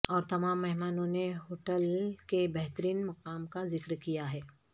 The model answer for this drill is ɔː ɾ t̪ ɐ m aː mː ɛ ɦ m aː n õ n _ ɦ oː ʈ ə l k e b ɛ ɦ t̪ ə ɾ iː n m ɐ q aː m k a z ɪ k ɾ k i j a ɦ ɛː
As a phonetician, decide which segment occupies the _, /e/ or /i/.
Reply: e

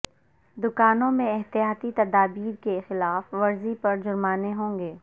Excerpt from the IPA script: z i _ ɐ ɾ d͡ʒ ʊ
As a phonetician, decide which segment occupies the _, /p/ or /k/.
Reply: p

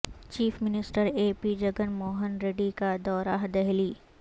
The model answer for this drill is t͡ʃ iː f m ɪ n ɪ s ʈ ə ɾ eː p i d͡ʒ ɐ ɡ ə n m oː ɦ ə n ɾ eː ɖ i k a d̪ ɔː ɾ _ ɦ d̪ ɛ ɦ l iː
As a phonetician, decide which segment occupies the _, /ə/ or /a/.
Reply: a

